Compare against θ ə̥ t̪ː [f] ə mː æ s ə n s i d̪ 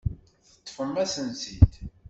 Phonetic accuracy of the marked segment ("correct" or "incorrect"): correct